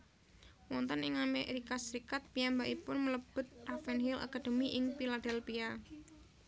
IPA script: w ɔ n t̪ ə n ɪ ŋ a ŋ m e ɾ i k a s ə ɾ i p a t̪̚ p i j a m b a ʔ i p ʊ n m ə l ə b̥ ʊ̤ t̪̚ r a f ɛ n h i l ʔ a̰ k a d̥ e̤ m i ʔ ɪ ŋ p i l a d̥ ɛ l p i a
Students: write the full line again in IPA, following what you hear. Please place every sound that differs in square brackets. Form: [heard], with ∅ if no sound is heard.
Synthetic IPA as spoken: w ɔ n t̪ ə n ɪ ŋ a [∅] m e ɾ i k a s ə ɾ i [k] a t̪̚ p i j a m b a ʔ i p ʊ n m ə l ə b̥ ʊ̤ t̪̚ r a f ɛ n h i l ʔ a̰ k a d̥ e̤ m i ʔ ɪ ŋ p i l a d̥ ɛ l p i a